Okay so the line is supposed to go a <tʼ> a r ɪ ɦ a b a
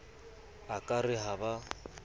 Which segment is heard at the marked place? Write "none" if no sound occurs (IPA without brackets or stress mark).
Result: kʼ